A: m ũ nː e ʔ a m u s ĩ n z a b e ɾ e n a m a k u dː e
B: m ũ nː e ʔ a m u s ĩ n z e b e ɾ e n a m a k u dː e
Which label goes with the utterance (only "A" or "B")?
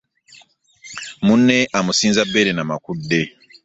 A